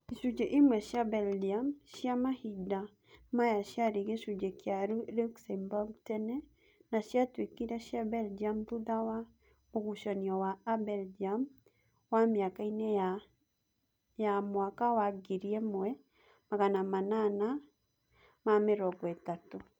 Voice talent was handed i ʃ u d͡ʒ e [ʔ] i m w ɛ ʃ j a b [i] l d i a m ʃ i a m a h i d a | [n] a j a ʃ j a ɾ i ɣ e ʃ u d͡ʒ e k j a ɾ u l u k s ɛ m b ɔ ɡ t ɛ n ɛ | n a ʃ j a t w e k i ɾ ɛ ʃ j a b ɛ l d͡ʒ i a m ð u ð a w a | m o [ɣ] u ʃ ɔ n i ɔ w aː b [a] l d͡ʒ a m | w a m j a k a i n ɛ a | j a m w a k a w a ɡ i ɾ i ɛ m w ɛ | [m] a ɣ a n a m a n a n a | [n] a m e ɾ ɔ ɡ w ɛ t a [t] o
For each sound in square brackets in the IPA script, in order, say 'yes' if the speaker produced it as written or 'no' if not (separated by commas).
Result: yes, no, no, yes, no, yes, no, yes